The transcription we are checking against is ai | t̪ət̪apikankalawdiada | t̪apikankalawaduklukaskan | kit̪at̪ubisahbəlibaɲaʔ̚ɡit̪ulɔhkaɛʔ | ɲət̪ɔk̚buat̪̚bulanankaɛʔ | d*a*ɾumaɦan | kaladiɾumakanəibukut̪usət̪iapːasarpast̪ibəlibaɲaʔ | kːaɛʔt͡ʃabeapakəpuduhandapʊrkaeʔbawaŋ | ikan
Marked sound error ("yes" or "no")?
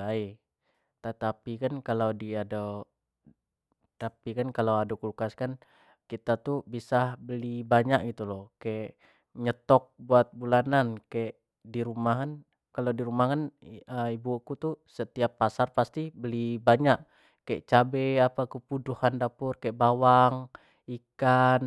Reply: yes